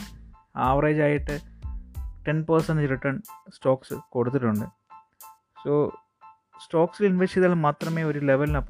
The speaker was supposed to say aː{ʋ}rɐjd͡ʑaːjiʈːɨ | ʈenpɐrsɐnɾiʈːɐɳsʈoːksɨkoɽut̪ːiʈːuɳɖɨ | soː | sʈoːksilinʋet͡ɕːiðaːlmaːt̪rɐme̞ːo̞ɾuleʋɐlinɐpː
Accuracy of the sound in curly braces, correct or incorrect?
correct